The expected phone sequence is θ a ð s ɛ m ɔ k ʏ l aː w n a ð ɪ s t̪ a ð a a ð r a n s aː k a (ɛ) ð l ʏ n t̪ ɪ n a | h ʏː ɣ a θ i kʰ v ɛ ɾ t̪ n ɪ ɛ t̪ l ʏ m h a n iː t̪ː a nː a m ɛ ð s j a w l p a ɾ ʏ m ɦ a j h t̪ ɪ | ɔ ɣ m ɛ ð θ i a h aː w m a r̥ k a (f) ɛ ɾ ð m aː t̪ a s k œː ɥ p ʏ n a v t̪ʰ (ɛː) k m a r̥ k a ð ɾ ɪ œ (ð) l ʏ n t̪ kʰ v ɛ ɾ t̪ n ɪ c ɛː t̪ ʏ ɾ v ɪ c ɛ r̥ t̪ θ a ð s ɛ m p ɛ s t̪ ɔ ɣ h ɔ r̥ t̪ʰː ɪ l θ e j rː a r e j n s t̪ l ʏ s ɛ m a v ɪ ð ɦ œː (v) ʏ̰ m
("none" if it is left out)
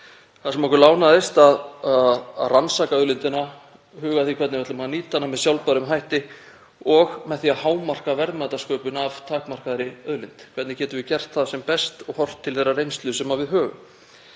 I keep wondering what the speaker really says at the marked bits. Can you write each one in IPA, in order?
œ, v, aː, ð, ɣ

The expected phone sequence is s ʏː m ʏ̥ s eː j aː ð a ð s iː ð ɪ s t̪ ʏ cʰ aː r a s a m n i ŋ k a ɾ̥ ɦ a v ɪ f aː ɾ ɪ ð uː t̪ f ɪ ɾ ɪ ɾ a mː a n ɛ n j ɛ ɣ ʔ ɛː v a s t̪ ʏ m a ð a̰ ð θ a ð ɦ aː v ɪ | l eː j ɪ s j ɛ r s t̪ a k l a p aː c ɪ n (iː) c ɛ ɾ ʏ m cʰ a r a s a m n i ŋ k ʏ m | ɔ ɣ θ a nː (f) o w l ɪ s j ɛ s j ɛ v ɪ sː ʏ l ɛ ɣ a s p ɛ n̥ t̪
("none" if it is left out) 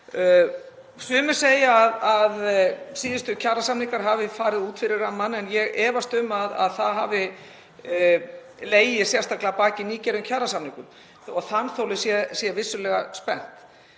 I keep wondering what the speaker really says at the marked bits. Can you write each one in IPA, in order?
iː, θ

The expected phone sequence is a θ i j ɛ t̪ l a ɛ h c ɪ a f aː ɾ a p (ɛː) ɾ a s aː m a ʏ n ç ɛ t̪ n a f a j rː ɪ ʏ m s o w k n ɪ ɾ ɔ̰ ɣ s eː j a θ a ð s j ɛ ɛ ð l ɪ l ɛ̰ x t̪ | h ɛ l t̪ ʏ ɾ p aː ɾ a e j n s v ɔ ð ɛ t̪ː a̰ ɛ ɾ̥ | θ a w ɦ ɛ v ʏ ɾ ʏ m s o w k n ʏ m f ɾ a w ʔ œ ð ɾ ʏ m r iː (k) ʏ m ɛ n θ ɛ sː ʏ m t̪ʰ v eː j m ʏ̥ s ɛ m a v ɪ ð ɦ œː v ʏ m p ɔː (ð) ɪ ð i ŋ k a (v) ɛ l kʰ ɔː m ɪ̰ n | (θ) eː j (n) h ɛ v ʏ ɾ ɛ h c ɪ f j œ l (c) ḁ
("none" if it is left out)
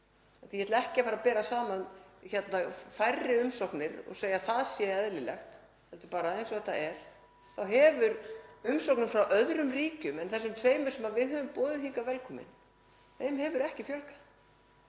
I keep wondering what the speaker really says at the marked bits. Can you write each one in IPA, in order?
ɛː, c, ð, v, θ, m, k

